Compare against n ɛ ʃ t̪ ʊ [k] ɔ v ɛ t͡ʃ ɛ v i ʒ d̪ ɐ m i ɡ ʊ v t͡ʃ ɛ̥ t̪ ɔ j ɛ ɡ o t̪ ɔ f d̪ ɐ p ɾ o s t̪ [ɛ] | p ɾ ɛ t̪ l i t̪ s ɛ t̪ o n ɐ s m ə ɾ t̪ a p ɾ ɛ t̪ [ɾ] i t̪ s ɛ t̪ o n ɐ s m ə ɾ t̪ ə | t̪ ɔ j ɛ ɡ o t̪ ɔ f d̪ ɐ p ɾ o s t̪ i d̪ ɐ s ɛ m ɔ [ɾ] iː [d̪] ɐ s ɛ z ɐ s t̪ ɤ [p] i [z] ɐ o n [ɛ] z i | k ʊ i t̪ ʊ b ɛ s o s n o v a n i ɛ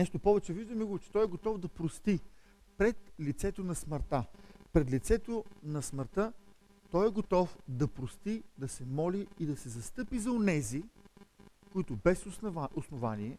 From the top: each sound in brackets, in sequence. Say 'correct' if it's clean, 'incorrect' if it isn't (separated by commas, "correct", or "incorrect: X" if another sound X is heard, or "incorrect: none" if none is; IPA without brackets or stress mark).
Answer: incorrect: p, incorrect: i, incorrect: l, incorrect: l, correct, correct, correct, correct